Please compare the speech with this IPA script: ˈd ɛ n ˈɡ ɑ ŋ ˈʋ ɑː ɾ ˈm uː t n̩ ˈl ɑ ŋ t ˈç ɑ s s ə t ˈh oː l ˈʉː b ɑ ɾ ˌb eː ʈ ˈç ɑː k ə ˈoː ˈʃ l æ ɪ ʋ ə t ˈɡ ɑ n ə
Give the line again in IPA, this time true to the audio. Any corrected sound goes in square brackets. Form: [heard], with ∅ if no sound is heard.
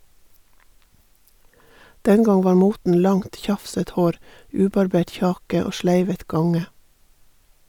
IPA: ˈd ɛ n ˈɡ ɑ ŋ ˈʋ ɑː ɾ ˈm uː t n̩ ˈl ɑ ŋ t ˈç ɑ [f] s ə t ˈh oː [ɾ] ˈʉː b ɑ ɾ ˌb eː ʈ ˈç ɑː k ə ˈoː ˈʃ l æ ɪ ʋ ə t ˈɡ ɑ [ŋ] ə